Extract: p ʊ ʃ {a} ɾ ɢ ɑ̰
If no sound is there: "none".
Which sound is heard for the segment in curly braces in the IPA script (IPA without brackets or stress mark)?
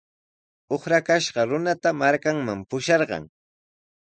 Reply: ɑ